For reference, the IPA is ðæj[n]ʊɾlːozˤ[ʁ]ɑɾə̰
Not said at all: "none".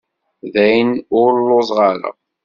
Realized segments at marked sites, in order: n, ʁ

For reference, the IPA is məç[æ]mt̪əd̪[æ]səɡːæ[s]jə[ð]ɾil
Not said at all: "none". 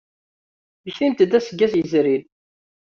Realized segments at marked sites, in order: i, æ, s, z

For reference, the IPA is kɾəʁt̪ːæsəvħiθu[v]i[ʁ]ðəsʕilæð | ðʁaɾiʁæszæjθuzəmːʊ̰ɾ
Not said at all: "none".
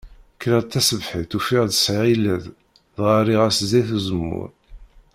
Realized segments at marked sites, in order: f, ʁ

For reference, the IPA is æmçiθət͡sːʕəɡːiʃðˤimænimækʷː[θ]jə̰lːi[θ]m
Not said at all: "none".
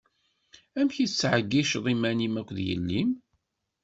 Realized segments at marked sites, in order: ð, none

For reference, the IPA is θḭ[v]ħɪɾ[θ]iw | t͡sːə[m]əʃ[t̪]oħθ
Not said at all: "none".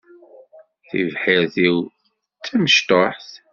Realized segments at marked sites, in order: v, θ, m, t̪

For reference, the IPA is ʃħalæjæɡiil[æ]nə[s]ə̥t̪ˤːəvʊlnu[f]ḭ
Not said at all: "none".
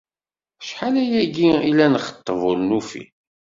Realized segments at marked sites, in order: æ, χ, f

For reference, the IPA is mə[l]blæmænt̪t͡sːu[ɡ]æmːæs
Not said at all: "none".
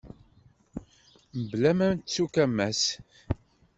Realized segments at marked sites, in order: none, k

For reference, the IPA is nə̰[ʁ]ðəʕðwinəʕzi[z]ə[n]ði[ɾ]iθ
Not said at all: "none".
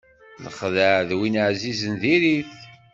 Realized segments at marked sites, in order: χ, z, n, ɾ

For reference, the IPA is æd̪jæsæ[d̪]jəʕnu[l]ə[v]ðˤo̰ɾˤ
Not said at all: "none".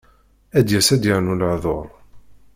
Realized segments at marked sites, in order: d̪, l, ʕ

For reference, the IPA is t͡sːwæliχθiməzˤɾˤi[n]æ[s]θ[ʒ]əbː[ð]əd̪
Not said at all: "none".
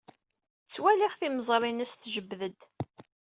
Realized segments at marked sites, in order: n, s, ʒ, ð

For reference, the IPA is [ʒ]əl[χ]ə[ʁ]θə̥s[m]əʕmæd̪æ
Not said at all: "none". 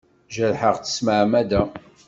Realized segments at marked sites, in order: ʒ, ħ, ʁ, m

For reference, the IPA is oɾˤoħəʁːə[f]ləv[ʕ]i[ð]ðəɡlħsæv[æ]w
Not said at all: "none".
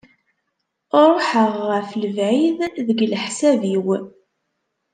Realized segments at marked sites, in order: f, ʕ, ð, i

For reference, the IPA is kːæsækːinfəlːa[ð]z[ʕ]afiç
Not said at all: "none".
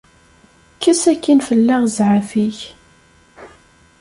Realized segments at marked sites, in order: ʁ, ʕ

